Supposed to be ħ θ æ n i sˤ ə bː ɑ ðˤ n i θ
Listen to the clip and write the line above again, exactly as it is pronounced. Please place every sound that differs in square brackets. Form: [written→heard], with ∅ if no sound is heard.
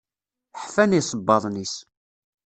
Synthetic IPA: ħ [θ→f] æ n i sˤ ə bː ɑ ðˤ n i [θ→s]